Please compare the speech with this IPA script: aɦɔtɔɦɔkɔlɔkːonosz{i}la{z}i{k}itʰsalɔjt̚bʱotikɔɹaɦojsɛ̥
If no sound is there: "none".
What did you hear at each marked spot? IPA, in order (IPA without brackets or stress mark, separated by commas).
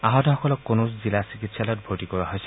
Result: i, s, k